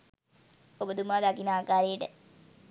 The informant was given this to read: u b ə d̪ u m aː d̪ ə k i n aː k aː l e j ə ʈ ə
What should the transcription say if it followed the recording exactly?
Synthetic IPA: o b ə d̪ u m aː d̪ a k i n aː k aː ɾ e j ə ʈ ə